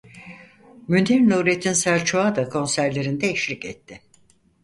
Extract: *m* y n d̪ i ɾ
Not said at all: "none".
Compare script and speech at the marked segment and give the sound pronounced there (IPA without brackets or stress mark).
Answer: m